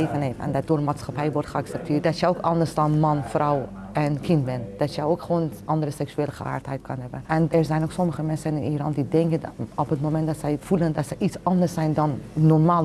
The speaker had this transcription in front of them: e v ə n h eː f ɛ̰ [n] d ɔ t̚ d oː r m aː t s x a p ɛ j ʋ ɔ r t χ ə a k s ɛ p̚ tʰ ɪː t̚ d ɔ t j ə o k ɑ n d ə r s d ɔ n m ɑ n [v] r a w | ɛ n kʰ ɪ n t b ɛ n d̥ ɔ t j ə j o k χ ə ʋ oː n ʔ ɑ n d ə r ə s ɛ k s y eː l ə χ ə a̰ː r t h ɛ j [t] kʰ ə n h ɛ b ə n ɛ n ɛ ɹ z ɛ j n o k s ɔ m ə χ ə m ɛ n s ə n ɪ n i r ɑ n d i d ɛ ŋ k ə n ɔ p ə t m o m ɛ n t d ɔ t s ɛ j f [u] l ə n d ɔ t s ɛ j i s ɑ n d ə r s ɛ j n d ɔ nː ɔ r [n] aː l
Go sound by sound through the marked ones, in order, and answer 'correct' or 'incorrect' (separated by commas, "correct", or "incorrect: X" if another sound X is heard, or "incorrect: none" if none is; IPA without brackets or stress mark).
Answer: correct, incorrect: f, correct, correct, incorrect: m